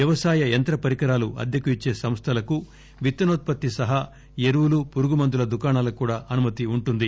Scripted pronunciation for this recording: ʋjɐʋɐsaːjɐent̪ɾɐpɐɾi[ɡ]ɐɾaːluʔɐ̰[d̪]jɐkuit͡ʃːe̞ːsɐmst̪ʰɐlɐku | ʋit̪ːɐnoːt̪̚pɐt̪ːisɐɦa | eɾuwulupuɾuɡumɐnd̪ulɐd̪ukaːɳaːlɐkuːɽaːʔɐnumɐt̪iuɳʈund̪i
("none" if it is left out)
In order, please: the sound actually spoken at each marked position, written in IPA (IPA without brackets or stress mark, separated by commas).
k, d̪